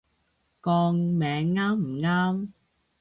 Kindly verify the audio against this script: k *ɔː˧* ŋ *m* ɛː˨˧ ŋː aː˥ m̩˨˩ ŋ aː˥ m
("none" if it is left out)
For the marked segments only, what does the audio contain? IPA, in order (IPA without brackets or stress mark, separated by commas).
ɔː˧, m